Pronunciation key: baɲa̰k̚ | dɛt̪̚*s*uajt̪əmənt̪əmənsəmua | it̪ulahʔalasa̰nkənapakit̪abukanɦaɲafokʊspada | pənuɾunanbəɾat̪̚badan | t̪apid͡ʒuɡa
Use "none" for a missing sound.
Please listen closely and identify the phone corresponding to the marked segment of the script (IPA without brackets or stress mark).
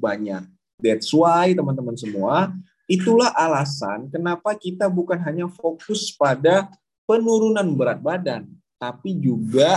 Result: s